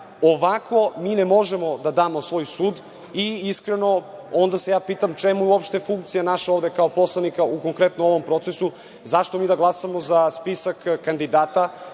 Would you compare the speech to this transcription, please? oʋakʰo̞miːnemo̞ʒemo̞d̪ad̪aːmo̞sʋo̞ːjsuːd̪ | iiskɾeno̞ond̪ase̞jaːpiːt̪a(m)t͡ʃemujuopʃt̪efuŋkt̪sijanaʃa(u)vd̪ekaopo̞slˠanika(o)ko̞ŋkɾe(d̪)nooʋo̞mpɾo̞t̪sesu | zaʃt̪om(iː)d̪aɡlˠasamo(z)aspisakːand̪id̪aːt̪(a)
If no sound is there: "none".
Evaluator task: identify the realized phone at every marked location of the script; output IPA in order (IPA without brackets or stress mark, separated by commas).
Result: m, o, u, t̪, iː, z, a